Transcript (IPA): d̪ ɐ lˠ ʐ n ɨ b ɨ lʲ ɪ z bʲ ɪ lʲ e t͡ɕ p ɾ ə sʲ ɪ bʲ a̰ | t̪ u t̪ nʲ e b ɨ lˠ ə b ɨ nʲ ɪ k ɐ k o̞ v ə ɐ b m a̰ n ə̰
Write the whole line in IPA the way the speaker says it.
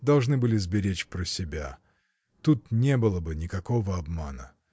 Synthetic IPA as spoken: d̪ ɐ lˠ ʐ n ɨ b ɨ lʲ ɪ z bʲ ɪ ɾʲ e t͡ɕ p ɾ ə sʲ ɪ bʲ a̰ | t̪ u t̪ nʲ e b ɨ lˠ ə b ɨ nʲ ɪ k ɐ k o̞ v ə ɐ b m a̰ n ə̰